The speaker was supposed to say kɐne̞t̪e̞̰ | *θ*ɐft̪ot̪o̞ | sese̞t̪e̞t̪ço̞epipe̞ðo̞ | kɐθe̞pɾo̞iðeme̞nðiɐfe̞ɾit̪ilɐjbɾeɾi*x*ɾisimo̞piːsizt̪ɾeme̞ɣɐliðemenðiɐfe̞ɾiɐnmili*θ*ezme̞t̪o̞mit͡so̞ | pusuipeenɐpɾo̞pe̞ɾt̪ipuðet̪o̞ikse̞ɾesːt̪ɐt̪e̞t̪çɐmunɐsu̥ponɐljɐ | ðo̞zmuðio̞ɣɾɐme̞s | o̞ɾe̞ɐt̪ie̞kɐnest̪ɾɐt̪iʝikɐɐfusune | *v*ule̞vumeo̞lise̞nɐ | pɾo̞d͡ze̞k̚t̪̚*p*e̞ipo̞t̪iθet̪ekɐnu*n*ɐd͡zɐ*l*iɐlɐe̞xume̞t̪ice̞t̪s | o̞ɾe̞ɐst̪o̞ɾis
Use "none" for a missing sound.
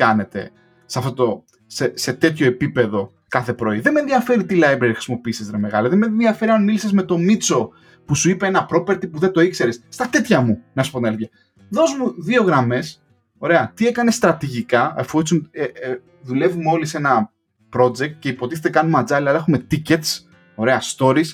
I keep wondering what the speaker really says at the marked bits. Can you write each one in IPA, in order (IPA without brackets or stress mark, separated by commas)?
s, x, s, ð, c, m, l